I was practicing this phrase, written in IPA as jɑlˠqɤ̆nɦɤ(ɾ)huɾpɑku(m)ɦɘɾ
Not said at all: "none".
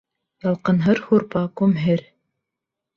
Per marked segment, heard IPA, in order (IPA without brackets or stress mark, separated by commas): ɾ, m